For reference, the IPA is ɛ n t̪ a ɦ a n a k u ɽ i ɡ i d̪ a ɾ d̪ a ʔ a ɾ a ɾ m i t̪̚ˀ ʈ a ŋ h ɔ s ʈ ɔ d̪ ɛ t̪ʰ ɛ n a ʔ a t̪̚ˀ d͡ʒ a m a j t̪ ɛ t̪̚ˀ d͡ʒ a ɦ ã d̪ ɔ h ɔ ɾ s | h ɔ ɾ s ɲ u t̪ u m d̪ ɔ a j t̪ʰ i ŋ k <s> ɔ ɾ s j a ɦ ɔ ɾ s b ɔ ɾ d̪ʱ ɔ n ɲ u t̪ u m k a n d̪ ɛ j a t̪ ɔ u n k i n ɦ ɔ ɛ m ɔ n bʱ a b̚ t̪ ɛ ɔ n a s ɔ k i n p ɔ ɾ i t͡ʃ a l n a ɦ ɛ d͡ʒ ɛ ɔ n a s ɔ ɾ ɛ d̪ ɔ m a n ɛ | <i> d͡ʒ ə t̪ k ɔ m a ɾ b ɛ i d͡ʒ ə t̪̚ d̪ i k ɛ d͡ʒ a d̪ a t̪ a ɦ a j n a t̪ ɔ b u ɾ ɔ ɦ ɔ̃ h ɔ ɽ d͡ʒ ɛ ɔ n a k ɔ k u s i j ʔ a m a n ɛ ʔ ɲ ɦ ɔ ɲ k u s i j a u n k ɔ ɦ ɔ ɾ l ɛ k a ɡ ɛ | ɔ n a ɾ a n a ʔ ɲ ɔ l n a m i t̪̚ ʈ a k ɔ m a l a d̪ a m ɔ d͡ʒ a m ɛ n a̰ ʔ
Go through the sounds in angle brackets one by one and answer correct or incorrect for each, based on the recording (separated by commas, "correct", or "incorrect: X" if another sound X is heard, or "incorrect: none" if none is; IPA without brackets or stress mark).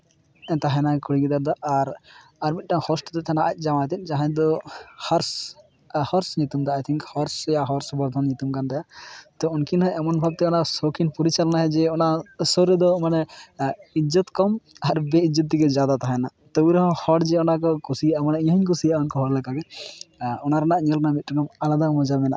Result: incorrect: h, correct